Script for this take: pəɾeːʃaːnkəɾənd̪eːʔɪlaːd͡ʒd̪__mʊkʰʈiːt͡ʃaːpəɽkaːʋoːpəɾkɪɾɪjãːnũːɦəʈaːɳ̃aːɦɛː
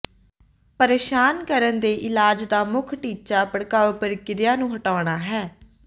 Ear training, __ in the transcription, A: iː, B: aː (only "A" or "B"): B